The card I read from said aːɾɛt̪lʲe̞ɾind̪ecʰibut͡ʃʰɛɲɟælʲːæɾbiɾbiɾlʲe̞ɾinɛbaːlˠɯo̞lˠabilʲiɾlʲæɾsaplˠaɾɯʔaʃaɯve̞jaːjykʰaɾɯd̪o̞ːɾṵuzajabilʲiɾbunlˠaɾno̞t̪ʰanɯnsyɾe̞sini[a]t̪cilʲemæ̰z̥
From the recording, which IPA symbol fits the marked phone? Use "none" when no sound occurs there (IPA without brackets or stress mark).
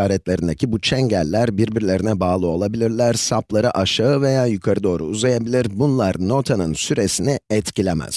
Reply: ɛ